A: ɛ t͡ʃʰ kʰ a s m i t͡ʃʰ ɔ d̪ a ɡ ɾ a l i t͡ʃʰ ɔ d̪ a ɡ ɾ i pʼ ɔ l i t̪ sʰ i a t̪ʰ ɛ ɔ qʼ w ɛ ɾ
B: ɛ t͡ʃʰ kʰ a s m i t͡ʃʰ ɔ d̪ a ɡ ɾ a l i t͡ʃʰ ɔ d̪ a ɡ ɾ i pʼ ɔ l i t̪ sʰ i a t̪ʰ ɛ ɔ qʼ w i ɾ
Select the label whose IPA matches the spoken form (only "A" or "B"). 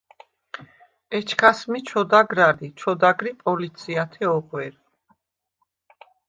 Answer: A